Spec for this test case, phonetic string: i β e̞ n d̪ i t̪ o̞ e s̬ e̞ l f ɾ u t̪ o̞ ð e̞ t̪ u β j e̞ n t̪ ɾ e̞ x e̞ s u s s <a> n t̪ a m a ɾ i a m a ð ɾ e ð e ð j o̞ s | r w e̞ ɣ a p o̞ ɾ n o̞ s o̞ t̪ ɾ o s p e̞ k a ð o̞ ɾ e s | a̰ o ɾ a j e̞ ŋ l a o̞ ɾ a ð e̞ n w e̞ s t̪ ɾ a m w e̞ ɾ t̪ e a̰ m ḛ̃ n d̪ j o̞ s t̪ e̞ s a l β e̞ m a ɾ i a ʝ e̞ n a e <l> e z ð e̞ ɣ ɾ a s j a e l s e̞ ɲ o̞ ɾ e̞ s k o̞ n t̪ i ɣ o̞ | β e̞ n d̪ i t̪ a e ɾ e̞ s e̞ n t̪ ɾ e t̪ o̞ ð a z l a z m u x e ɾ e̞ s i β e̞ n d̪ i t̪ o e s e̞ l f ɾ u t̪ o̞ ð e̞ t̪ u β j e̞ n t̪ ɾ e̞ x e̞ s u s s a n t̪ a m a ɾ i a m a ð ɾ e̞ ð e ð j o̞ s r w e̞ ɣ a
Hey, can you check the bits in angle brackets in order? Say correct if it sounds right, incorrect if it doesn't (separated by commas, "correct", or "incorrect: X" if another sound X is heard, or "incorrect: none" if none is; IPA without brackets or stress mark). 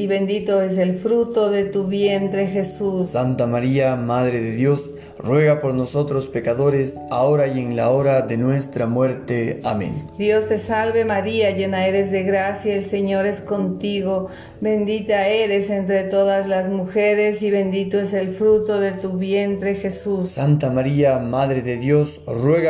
correct, incorrect: ɾ